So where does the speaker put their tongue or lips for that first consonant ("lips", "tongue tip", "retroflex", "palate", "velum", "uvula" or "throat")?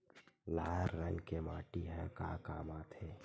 tongue tip